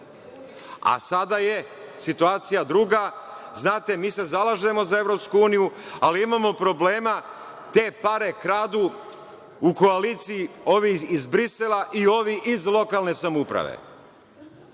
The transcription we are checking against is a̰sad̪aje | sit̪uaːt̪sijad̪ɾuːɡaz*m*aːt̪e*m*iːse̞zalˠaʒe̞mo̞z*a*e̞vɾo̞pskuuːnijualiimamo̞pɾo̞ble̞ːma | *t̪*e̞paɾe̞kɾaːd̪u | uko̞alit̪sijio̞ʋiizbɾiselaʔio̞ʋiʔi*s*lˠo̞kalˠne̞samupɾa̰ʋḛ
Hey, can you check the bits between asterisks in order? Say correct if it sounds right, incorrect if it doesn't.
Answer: incorrect, correct, correct, correct, incorrect

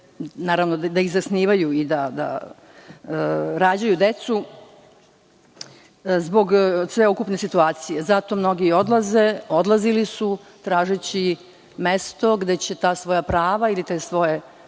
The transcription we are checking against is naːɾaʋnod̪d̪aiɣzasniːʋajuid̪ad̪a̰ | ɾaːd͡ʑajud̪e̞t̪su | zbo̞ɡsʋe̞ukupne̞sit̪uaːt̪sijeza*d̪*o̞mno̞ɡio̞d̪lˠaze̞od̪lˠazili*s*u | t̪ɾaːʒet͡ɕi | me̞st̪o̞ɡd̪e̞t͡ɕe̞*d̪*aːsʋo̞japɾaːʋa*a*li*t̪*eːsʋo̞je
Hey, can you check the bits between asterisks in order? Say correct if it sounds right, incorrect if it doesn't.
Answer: incorrect, correct, incorrect, incorrect, correct

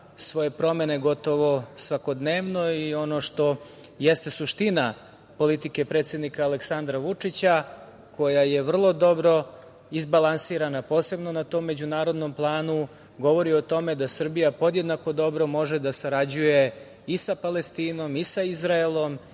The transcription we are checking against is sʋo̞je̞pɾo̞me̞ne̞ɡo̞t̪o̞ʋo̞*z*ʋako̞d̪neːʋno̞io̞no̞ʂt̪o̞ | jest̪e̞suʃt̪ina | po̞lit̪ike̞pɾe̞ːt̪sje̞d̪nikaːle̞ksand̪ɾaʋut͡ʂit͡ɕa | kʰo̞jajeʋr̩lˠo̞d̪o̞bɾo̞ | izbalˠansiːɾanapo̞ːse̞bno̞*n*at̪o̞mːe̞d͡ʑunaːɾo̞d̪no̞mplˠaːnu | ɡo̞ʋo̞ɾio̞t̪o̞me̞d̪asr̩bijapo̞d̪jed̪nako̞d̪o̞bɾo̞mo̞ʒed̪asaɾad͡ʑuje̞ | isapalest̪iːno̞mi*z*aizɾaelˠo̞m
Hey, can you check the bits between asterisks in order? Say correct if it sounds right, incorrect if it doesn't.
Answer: incorrect, correct, incorrect

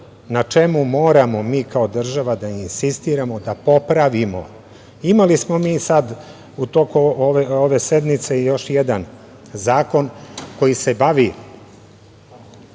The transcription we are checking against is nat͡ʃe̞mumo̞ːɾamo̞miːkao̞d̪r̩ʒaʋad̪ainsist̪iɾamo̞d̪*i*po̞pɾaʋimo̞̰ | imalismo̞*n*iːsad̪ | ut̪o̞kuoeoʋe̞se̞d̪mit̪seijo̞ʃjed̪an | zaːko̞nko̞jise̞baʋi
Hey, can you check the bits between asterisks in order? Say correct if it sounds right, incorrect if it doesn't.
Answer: incorrect, incorrect

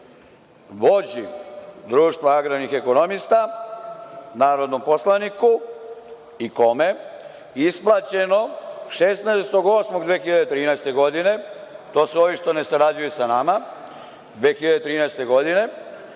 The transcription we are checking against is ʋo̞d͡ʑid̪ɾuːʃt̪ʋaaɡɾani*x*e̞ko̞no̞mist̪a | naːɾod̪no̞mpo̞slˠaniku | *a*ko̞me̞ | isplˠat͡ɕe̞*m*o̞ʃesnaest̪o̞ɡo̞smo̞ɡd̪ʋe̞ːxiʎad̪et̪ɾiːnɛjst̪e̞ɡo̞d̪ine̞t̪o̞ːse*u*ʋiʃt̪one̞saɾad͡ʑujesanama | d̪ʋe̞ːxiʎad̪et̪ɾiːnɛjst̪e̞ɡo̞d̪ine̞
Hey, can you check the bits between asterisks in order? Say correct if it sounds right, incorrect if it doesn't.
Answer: correct, incorrect, incorrect, incorrect

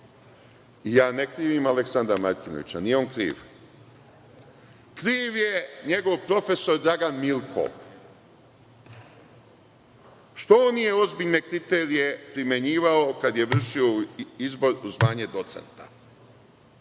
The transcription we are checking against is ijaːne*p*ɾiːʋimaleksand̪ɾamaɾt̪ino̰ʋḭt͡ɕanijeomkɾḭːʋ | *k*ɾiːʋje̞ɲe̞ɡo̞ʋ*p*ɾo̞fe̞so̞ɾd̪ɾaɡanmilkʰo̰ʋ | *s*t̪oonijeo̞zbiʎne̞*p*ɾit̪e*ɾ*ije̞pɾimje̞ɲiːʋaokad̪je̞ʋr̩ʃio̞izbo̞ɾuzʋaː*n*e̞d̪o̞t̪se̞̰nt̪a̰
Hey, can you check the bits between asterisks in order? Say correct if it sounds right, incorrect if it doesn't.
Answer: incorrect, correct, correct, incorrect, incorrect, correct, incorrect

